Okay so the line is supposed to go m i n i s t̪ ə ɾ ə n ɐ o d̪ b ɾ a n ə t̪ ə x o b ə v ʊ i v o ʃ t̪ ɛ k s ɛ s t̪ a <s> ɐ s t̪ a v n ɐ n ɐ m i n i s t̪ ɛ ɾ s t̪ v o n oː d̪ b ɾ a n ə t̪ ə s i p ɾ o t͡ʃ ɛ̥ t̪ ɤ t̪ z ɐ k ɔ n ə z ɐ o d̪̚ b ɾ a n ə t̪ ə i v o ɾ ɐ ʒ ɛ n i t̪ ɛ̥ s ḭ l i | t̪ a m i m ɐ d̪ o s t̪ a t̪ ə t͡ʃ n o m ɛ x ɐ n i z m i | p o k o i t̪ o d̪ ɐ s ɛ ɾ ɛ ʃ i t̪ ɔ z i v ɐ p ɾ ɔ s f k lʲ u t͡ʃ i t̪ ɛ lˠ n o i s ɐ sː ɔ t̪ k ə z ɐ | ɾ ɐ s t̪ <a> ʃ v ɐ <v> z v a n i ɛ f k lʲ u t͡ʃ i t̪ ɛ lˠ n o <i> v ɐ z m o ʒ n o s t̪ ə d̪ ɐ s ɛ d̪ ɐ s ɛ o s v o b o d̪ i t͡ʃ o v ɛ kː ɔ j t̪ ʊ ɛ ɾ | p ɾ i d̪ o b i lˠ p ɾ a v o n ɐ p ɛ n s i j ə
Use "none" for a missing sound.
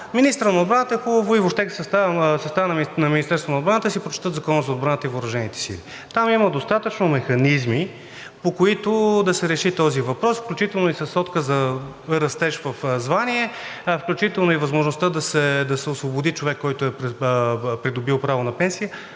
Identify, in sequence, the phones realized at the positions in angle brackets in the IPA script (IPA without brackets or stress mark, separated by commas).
s, ɛ, f, i